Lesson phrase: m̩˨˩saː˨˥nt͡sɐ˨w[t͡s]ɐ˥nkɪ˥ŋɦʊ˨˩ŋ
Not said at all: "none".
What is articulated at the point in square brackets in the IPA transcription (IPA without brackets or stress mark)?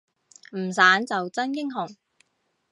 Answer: t͡s